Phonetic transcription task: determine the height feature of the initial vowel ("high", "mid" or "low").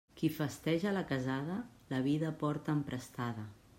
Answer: high